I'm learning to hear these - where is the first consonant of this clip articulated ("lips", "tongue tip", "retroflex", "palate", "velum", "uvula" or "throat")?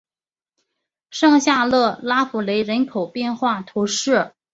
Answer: retroflex